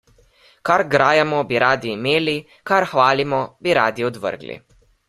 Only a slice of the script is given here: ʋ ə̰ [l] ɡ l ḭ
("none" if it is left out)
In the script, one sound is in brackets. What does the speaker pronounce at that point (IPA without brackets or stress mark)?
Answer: ɾ